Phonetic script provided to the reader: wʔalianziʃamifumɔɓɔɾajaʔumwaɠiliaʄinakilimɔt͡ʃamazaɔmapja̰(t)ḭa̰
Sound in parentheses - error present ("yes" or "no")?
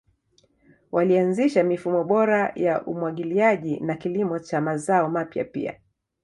yes